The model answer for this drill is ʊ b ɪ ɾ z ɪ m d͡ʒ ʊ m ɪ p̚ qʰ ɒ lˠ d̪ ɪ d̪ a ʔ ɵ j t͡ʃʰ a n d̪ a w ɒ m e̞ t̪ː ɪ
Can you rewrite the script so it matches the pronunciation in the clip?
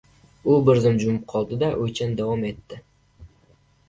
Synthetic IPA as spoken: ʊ b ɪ ɾ z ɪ m d͡ʒ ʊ m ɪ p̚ qʰ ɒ lˠ d̪ ɪ d̪ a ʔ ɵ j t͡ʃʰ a n d̪ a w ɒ m e̞ t̪ː ɪ